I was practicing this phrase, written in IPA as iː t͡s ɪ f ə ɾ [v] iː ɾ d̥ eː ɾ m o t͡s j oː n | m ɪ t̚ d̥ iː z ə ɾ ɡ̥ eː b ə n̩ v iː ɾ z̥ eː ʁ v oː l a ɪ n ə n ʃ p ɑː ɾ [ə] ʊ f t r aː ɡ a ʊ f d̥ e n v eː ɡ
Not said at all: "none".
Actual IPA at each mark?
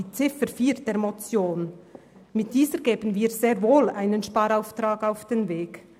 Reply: f, a

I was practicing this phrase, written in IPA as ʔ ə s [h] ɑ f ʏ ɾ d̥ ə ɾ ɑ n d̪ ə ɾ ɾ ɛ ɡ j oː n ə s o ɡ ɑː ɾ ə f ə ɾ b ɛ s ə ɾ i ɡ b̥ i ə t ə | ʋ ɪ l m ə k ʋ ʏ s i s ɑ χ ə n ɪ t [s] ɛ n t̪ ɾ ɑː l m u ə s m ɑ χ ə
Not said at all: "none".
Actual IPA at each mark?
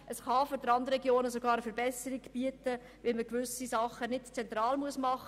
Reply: χ, t͡s

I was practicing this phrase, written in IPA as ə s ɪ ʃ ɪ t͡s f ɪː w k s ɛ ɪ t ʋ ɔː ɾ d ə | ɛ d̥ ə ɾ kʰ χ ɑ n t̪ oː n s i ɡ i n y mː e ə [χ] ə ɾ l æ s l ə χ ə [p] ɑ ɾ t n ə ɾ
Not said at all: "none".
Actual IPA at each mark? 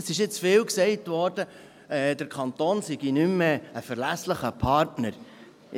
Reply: f, pʰ

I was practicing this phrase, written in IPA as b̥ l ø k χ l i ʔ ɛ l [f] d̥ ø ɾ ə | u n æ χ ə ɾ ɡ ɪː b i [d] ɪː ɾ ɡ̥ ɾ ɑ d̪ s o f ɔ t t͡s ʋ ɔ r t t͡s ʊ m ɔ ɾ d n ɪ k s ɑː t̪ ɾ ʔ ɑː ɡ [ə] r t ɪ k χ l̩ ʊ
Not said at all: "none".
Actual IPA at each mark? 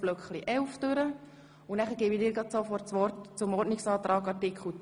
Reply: f, d, ɑ

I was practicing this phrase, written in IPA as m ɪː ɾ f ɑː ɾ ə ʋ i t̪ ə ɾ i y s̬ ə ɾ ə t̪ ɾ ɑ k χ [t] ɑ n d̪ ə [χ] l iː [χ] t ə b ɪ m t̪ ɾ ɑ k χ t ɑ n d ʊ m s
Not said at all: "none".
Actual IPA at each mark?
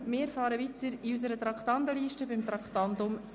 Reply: t, none, ʃ

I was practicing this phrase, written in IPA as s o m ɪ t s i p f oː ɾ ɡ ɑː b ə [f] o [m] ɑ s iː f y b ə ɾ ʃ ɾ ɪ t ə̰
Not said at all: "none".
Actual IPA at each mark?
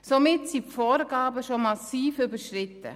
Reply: ʃ, m

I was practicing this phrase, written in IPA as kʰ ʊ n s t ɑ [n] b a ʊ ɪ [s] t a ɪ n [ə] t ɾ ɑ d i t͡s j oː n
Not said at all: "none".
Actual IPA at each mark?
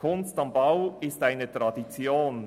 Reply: m, s, ə

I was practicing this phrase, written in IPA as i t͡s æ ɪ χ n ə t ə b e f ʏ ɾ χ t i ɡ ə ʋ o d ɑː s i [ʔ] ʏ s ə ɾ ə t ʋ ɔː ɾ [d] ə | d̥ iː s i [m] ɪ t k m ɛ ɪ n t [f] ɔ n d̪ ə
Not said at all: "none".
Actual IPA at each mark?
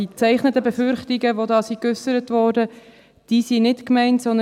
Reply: k, d, n, s

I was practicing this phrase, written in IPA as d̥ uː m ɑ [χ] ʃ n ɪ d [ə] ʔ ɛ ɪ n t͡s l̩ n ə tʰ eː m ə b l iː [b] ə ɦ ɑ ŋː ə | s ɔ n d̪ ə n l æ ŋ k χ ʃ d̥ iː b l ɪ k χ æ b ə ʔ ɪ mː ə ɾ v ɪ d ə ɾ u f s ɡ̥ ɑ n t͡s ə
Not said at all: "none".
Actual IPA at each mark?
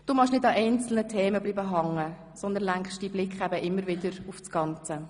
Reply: χ, ɑ, b

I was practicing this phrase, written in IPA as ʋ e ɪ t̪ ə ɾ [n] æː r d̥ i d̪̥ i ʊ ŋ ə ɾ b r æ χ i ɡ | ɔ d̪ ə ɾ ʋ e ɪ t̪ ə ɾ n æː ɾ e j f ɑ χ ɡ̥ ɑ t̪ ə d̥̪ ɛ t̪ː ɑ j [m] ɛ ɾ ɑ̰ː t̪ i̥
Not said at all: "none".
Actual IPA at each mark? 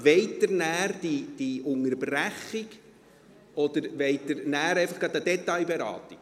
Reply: n, b

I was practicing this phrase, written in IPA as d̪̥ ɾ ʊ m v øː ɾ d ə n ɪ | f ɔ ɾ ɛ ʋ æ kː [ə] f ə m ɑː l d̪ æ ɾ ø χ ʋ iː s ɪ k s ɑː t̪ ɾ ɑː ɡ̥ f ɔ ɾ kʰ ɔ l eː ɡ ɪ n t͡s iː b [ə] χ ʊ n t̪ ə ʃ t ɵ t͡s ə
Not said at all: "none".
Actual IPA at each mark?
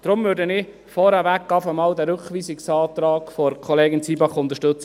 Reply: ɑ, ɑ

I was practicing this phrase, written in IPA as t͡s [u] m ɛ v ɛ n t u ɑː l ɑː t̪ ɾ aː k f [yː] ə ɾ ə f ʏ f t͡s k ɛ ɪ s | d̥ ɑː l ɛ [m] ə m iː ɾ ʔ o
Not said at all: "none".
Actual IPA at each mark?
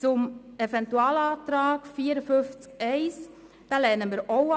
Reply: ʊ, iː, n

